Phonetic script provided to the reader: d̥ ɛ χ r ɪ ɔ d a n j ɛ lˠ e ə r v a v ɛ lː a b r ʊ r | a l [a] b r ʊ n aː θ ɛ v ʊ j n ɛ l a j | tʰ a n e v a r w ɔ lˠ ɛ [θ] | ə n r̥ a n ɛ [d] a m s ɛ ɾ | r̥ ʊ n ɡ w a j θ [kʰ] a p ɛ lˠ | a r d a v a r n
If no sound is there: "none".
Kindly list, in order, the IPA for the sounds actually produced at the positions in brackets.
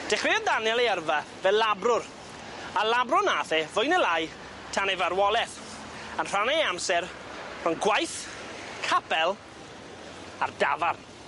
a, θ, none, kʰ

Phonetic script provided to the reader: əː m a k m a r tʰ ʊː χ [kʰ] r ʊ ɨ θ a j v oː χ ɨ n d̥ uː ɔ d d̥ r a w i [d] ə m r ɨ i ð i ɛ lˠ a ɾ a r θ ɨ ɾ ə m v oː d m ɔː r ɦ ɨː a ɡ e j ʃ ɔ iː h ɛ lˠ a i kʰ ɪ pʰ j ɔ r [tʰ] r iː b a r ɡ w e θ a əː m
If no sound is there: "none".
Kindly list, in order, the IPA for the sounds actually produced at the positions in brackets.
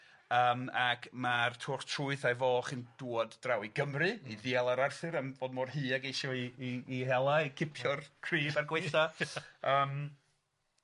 tʰ, ɡ, kʰ

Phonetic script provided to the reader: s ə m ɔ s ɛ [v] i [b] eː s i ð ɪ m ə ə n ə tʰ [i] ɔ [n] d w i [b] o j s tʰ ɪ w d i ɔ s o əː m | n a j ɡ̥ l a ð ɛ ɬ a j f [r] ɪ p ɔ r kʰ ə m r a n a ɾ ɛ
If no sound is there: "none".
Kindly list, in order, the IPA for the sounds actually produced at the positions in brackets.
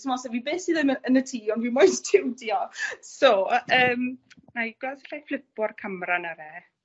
v, b, iː, n, m, l

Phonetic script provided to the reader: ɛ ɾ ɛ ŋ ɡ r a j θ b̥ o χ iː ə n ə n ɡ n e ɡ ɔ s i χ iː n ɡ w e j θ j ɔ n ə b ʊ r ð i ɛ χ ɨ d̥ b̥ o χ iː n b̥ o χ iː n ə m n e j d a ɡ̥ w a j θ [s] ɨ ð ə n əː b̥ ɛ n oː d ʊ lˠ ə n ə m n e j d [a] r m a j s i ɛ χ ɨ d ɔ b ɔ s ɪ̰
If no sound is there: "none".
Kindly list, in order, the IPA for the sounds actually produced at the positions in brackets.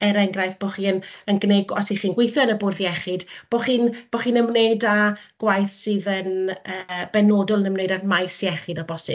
s, a

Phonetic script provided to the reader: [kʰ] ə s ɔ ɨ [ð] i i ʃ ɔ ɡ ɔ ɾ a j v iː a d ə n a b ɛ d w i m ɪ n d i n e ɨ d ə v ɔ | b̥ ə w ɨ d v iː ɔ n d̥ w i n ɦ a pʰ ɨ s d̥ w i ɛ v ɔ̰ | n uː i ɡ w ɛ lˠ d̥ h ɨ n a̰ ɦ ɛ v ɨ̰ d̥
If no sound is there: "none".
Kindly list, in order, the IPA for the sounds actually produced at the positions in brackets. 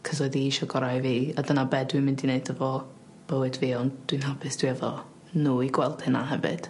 kʰ, ð

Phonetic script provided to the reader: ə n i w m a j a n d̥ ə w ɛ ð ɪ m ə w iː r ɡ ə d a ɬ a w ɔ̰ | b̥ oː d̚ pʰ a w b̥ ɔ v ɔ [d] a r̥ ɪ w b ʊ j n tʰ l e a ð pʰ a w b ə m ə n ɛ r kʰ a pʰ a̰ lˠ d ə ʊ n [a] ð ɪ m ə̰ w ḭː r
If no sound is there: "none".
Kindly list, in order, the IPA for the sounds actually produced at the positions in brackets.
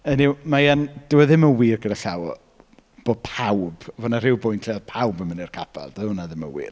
n, a

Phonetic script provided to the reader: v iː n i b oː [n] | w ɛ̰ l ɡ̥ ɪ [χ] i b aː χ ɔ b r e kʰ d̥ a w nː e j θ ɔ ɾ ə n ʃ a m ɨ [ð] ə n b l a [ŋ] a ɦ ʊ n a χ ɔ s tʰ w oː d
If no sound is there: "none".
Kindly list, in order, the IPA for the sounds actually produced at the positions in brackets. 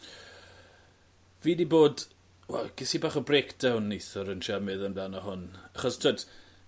d, s, ð, n

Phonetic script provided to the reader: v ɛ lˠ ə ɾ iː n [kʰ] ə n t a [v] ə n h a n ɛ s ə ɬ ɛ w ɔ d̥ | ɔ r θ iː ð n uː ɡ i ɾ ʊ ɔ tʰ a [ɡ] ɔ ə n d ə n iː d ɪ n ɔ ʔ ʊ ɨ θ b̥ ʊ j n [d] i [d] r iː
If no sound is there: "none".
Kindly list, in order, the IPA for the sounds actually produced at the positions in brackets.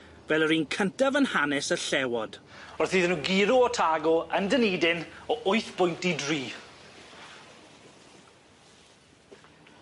kʰ, v, ɡ, t, d

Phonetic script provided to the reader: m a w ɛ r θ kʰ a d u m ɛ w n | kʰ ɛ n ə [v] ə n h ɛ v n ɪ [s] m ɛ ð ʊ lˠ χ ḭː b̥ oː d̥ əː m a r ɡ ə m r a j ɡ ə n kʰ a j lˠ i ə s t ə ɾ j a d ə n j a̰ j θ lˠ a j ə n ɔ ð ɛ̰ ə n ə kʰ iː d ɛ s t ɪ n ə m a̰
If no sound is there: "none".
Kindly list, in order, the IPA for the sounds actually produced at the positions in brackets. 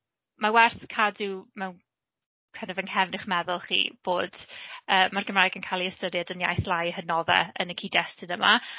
v, χ

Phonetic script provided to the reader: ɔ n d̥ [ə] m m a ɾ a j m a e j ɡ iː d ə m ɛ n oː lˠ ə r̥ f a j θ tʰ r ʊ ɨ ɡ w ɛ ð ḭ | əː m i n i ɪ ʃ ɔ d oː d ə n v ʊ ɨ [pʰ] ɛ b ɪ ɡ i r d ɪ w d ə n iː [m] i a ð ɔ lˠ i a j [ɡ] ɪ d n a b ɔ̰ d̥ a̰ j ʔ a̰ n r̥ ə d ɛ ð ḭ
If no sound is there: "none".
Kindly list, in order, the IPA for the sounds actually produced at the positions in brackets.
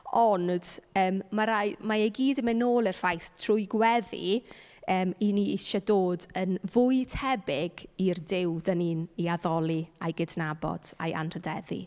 əː, tʰ, n, ɡ

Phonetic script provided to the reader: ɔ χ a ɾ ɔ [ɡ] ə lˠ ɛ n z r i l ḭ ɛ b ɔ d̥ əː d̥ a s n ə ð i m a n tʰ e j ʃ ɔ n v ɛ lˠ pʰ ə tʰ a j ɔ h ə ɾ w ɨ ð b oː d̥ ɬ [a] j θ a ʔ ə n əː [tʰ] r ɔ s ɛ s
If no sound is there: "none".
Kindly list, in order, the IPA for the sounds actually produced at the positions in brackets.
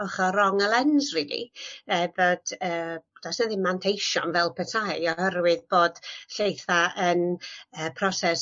ŋ, e, pʰ

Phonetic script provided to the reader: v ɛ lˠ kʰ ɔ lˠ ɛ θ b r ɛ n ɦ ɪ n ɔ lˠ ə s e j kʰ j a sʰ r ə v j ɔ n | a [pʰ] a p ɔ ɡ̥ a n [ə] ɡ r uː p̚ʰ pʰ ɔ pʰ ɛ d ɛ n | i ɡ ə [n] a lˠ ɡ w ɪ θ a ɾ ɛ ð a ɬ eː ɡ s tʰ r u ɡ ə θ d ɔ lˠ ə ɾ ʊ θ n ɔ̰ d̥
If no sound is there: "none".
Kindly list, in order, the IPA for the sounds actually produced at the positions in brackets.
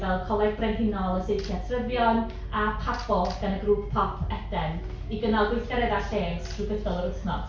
pʰ, ə, n

